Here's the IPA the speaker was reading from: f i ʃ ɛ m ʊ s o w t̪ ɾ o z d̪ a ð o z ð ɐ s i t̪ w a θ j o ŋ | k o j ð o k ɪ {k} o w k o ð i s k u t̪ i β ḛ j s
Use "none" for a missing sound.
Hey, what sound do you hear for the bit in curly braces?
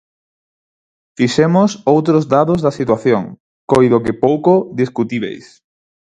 p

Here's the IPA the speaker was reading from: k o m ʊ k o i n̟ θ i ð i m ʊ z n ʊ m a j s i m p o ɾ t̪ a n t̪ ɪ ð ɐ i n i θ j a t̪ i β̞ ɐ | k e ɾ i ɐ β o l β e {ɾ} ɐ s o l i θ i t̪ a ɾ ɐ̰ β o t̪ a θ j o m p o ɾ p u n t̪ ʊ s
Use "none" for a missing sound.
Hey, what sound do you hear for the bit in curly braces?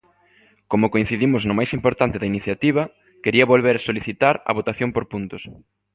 ɾ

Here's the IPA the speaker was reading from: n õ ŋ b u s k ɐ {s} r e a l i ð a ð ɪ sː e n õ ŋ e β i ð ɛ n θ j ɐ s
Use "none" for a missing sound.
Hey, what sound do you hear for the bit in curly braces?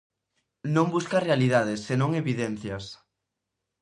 none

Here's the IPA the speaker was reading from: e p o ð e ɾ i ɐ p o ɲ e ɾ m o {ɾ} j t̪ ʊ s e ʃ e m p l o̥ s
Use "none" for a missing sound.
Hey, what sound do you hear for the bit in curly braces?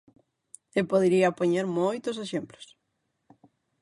none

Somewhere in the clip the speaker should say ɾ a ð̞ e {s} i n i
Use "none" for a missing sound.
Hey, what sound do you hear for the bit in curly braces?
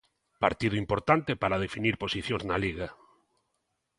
f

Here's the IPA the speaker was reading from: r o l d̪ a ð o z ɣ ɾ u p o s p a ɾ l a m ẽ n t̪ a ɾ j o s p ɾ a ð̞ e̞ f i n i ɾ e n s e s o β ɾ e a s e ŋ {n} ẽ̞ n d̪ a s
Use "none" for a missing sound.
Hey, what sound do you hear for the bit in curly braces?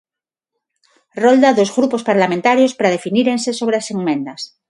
m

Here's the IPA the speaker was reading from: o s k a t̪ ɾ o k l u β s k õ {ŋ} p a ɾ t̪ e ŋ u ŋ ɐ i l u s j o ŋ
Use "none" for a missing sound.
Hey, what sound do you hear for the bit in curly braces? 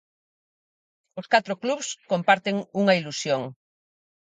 m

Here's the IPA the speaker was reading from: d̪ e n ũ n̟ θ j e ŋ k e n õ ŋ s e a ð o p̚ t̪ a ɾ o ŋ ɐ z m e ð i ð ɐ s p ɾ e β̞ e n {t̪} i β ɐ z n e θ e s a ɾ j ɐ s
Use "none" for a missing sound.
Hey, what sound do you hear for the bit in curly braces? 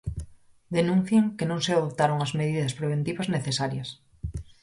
t̪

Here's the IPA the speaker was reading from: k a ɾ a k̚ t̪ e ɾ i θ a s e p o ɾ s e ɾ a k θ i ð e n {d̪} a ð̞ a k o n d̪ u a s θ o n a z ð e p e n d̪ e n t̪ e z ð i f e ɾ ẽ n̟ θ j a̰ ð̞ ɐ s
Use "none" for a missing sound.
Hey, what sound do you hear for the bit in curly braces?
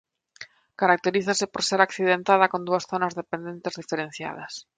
t̪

